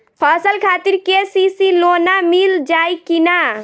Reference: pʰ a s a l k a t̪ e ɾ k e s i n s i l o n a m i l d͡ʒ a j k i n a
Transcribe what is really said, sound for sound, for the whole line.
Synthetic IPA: pʰ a s ə l kʰ a t̪ i ɾ k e s i s i l o n a m i l d͡ʒ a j k i n a